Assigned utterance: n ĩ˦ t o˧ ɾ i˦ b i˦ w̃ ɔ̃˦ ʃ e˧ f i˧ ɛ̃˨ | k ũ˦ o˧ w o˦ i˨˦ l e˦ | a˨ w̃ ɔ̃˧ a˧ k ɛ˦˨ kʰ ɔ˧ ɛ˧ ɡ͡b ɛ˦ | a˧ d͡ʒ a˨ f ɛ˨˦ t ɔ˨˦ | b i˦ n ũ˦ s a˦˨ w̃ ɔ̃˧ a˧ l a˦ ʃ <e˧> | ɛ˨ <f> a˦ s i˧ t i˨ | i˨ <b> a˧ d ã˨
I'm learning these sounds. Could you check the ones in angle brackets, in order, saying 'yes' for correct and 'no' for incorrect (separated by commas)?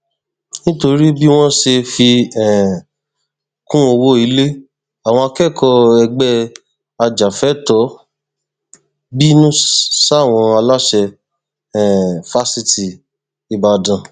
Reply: no, yes, yes